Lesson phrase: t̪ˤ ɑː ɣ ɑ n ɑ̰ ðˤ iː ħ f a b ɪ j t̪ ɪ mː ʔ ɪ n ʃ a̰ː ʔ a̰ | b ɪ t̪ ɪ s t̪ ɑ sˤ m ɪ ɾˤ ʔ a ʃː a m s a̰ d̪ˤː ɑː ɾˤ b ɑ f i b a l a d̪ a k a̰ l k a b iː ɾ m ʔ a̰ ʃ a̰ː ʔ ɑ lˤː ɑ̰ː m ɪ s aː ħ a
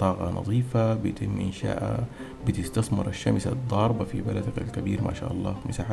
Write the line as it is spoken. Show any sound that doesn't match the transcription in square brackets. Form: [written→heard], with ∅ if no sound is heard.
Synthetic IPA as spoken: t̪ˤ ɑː ɣ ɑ n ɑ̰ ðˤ iː [ħ→∅] f a b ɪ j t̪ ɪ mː ʔ ɪ n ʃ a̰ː ʔ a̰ | b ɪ t̪ ɪ s t̪ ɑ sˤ m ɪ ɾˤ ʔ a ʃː a m s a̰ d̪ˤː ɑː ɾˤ b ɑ f i b a l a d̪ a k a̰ l k a b iː ɾ m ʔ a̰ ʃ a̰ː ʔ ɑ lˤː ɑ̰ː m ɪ s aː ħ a